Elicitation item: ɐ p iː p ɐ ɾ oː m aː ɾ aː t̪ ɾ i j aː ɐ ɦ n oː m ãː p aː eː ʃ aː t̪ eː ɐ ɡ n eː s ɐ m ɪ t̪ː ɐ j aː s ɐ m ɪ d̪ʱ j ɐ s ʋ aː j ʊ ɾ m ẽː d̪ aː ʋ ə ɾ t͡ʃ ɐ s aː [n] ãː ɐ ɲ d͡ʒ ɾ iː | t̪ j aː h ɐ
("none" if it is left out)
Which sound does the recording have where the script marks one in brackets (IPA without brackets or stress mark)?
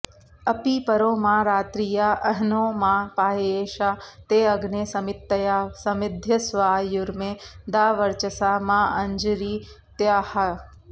m